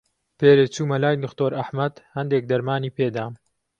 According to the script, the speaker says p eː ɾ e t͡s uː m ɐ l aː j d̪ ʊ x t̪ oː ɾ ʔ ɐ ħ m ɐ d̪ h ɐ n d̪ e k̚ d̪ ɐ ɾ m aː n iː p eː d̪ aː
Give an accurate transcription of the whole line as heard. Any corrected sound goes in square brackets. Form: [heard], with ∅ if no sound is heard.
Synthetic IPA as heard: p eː ɾ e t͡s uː m ɐ l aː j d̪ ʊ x t̪ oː ɾ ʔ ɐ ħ m ɐ d̪ h ɐ n d̪ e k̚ d̪ ɐ ɾ m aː n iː p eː d̪ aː